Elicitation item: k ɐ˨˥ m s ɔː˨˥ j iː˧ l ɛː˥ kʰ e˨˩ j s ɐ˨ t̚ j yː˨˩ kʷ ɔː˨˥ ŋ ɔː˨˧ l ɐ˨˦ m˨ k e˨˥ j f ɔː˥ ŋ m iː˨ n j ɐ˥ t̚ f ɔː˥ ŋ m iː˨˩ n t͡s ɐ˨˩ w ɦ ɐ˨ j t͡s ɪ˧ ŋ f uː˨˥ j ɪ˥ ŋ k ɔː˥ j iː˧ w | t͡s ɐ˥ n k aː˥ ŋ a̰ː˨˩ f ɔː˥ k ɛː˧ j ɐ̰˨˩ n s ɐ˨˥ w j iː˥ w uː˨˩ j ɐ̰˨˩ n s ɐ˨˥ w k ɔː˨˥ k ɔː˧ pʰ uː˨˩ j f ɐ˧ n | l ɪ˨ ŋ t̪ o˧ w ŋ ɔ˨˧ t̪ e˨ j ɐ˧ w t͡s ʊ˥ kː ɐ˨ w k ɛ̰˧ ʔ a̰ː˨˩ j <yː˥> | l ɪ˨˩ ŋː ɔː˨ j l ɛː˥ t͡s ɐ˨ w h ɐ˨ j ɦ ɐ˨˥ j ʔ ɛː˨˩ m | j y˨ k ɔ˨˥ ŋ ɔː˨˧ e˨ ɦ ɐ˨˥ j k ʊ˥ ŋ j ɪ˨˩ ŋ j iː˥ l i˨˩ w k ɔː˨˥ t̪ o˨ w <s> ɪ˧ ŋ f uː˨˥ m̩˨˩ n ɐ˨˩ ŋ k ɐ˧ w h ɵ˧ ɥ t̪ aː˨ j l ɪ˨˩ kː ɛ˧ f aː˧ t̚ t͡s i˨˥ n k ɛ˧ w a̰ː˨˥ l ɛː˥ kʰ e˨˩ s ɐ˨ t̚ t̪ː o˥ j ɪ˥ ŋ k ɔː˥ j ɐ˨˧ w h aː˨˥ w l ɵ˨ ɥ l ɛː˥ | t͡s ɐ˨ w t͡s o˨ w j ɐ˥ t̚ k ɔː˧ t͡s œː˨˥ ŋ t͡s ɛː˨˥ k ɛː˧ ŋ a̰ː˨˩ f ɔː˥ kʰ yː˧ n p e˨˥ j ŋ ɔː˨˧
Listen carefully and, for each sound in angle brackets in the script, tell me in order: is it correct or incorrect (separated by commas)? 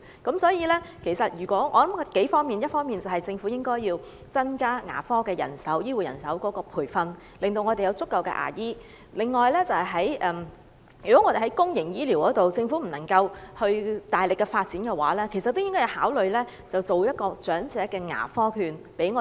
incorrect, incorrect